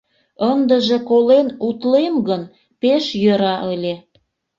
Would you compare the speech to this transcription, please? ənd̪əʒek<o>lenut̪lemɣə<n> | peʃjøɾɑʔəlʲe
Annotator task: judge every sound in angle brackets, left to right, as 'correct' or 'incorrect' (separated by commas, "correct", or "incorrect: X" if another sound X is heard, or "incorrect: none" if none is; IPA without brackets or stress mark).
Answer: correct, correct